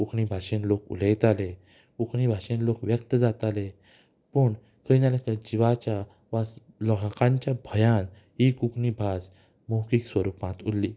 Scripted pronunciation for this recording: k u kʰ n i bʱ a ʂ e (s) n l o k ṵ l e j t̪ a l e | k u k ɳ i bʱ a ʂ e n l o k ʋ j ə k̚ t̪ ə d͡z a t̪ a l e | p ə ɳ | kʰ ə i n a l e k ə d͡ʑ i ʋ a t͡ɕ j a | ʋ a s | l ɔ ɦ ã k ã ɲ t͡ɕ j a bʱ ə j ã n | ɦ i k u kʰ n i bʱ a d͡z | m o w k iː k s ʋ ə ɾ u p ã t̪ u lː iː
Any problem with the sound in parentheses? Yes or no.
yes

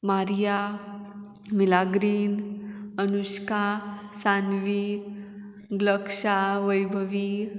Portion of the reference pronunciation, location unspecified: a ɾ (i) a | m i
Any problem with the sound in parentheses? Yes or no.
yes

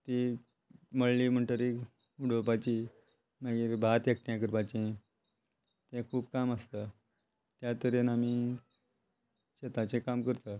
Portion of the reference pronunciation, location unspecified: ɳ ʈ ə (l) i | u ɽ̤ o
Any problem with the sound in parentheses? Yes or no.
yes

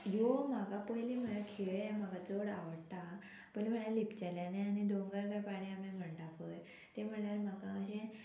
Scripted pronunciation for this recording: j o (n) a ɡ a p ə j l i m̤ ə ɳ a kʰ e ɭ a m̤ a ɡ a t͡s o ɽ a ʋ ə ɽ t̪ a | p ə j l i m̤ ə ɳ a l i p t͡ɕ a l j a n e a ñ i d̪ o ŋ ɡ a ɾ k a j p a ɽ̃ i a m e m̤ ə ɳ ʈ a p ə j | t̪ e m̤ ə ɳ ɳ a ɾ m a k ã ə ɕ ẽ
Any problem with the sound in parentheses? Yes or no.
yes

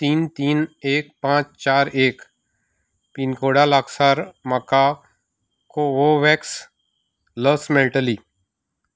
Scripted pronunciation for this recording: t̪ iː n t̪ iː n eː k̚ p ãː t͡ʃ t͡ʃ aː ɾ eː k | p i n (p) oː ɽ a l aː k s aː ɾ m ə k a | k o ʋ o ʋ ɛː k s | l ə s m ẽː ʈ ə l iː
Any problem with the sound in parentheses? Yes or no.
yes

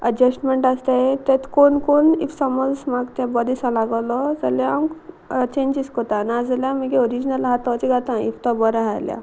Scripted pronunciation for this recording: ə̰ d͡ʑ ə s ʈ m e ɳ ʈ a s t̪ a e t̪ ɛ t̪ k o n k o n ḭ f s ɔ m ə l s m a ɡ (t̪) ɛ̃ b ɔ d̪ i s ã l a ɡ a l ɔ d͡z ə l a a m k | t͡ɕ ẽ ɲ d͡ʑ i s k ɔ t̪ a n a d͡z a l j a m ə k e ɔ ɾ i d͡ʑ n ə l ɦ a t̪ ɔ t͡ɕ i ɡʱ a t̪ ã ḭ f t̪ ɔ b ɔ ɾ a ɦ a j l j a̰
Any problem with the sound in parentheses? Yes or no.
no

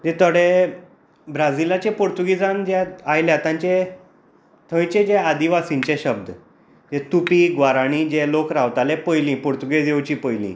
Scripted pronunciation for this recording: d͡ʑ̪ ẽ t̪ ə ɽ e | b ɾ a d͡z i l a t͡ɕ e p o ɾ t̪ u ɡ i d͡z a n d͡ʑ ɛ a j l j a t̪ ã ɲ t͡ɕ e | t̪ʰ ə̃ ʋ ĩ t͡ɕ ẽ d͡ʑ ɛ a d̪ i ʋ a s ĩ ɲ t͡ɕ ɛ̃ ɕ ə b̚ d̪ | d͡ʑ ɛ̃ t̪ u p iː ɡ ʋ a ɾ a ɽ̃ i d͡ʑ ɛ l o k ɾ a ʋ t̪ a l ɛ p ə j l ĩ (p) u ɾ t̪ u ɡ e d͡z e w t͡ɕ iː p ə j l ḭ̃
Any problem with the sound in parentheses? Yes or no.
no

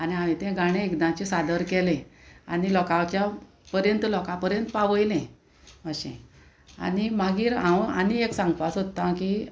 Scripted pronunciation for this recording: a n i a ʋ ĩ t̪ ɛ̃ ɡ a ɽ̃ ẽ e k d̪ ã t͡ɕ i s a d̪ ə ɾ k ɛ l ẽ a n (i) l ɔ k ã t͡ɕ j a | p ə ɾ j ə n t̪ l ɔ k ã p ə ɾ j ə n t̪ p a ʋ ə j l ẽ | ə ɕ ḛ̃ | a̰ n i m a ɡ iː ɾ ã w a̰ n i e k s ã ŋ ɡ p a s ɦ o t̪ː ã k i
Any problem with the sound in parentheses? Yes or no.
no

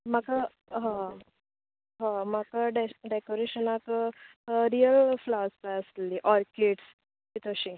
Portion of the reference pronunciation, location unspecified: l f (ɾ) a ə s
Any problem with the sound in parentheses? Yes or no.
yes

